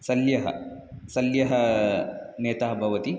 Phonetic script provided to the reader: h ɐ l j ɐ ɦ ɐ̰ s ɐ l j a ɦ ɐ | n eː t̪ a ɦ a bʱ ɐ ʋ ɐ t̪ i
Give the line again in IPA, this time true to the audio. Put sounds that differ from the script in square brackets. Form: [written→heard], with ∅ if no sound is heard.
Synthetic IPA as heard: [h→s] ɐ l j ɐ ɦ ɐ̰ s ɐ l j [a→ɐ] ɦ ɐ | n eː t̪ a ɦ [a→ɐ] bʱ ɐ ʋ ɐ t̪ i